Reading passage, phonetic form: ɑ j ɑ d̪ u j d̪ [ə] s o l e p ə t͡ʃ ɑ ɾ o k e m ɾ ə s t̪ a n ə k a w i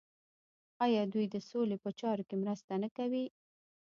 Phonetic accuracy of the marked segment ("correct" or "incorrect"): correct